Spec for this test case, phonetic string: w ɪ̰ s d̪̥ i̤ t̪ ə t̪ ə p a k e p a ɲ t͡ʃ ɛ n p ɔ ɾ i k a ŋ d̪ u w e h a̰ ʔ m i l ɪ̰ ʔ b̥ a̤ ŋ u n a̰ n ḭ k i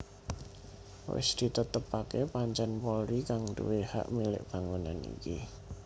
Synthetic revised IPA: w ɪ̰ s d̪̥ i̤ t̪ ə t̪ ə p a k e p a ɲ t͡ʃ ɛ n p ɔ ɾ i k a ŋ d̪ u w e h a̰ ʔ m i l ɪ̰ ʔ b̥ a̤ ŋ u n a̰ n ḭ k i